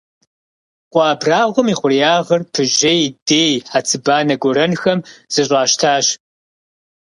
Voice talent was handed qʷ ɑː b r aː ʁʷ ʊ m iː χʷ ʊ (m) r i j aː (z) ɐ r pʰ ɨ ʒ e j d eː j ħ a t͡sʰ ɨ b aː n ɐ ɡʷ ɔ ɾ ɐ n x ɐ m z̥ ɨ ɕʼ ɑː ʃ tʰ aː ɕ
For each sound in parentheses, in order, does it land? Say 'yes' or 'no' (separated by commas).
no, no